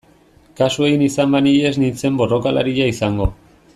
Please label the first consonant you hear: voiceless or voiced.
voiceless